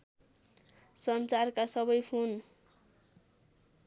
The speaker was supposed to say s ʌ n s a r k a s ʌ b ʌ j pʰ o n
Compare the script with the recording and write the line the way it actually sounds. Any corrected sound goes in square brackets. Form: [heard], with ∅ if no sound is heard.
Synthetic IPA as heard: s ʌ n [t͡s] a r k a s ʌ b ʌ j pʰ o n